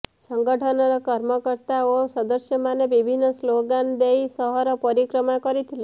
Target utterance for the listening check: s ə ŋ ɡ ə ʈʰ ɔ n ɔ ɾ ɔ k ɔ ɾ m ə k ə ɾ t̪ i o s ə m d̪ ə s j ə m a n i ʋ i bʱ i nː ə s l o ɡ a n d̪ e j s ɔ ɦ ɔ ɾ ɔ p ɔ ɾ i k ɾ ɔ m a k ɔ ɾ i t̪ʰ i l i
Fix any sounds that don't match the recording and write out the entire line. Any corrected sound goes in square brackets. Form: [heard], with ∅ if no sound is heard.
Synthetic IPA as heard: s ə ŋ ɡ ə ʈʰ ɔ n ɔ ɾ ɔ k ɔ ɾ m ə k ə ɾ t̪ [a] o s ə [∅] d̪ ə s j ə m a n [e] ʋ i bʱ i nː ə s l o ɡ a n d̪ e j s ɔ ɦ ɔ ɾ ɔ p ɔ ɾ i k ɾ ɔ m a k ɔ ɾ i t̪ʰ i l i